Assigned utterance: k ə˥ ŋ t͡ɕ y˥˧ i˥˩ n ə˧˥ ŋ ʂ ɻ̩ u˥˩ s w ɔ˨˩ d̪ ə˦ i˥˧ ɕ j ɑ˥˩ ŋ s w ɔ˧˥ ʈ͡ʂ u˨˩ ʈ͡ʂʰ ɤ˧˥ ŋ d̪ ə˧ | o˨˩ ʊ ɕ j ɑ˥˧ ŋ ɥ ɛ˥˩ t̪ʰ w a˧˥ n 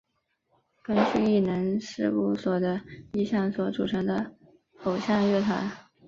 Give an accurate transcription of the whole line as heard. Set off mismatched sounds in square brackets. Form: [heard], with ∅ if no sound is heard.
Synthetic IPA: k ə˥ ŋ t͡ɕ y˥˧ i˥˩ n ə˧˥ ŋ ʂ ɻ̩ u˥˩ s w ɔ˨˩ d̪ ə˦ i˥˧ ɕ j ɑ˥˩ ŋ s w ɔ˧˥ ʈ͡ʂ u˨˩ ʈ͡ʂʰ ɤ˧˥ ŋ d̪ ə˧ | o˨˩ ʊ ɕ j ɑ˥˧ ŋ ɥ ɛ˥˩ t̪ʰ w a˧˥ n

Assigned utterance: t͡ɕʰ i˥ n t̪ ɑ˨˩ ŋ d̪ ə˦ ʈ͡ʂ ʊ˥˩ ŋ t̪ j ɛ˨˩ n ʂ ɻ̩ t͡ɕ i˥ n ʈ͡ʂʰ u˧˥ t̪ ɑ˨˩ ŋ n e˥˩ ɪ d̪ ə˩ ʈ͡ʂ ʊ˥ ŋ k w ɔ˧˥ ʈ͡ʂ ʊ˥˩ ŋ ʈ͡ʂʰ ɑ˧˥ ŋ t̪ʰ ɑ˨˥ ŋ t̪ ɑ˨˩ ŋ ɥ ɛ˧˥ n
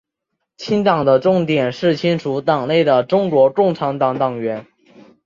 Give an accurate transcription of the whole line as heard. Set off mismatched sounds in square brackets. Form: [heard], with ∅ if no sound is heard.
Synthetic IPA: t͡ɕʰ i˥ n t̪ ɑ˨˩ ŋ d̪ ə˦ ʈ͡ʂ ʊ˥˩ ŋ t̪ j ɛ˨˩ n ʂ ɻ̩ [t͡ɕʰ] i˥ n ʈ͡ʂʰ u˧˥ t̪ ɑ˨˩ ŋ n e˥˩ ɪ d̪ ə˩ ʈ͡ʂ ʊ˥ ŋ k w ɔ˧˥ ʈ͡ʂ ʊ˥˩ ŋ ʈ͡ʂʰ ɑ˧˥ ŋ [t̪] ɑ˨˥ ŋ t̪ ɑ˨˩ ŋ ɥ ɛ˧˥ n

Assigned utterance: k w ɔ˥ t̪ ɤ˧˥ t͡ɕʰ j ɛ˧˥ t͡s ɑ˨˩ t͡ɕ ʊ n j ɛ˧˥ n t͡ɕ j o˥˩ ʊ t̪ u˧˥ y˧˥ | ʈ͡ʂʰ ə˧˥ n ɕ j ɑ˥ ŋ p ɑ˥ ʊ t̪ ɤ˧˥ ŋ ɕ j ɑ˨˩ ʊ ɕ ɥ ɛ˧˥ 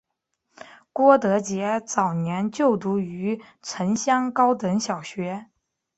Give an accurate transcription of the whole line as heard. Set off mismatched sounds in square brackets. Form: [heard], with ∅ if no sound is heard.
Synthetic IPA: k w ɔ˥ t̪ ɤ˧˥ [t͡ɕ] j ɛ˧˥ t͡s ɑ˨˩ [∅] ʊ n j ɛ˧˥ n t͡ɕ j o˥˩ ʊ t̪ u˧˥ y˧˥ | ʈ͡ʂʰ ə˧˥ n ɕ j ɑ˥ ŋ [k] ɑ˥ ʊ t̪ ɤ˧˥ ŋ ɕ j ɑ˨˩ ʊ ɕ ɥ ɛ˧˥

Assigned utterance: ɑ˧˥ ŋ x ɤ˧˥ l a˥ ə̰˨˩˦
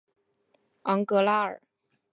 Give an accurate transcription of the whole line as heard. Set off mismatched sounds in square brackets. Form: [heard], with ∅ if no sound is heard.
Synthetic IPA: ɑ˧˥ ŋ [k] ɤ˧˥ l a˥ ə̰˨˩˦

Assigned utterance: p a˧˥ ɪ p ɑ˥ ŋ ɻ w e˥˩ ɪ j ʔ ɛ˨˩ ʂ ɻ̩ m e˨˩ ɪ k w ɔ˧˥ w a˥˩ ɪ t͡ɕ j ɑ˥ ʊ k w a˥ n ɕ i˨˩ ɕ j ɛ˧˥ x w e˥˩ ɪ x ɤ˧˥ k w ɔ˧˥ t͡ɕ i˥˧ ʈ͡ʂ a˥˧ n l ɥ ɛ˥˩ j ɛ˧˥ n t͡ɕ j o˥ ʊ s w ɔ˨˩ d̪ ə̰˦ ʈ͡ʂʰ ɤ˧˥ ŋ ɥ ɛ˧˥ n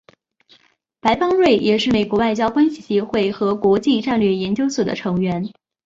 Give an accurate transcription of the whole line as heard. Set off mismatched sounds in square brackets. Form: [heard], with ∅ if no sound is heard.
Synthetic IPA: p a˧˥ ɪ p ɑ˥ ŋ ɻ w e˥˩ ɪ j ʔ ɛ˨˩ ʂ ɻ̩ m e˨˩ ɪ k w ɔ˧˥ w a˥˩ ɪ t͡ɕ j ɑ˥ ʊ k w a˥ n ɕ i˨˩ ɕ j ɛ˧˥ x w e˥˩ ɪ x ɤ˧˥ k w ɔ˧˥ t͡ɕ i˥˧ ʈ͡ʂ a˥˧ n l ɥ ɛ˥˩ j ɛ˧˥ n t͡ɕ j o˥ ʊ s w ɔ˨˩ d̪ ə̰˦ ʈ͡ʂʰ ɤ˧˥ ŋ ɥ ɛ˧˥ n

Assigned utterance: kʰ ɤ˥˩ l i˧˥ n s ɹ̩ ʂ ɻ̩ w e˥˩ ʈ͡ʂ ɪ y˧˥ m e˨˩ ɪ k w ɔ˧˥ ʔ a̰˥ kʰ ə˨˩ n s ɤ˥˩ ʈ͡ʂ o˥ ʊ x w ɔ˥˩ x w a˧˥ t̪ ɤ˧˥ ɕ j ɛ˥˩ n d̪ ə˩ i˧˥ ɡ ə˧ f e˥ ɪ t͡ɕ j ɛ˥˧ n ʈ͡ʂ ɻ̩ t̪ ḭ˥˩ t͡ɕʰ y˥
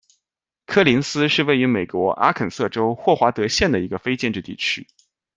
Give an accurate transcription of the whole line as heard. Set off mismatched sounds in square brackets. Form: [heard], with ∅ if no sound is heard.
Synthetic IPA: kʰ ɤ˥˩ l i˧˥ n s ɹ̩ ʂ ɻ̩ w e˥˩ [∅] ɪ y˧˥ m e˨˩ ɪ k w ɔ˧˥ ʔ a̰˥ kʰ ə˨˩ n s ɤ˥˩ ʈ͡ʂ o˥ ʊ x w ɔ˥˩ x w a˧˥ t̪ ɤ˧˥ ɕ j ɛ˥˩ n d̪ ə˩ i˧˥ ɡ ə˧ f e˥ ɪ t͡ɕ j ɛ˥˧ n ʈ͡ʂ ɻ̩ t̪ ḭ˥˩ t͡ɕʰ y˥

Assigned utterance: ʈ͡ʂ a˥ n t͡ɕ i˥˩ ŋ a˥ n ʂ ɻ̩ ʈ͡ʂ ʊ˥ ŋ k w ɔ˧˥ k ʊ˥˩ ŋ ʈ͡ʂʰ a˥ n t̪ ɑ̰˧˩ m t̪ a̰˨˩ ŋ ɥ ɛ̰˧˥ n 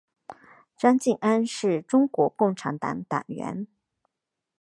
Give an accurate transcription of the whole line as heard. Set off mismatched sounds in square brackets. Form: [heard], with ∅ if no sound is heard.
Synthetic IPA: ʈ͡ʂ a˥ n t͡ɕ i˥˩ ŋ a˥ n ʂ ɻ̩ ʈ͡ʂ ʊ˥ ŋ k w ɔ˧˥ k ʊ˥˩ ŋ ʈ͡ʂʰ [a˧˥] n t̪ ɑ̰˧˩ [ŋ] t̪ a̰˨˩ ŋ ɥ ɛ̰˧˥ n

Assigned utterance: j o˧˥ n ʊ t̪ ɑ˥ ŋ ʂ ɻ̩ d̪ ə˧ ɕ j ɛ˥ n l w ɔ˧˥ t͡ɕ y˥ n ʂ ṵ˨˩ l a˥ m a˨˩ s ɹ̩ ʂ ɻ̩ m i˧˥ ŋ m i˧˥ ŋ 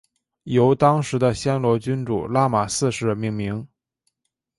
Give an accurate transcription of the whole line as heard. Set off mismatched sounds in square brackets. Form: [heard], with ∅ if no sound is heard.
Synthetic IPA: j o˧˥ [∅] ʊ t̪ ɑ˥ ŋ ʂ ɻ̩ d̪ ə˧ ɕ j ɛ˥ n l w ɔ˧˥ t͡ɕ y˥ n [ʈ͡ʂ] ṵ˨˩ l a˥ m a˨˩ s ɹ̩ ʂ ɻ̩ m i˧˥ ŋ m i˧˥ ŋ

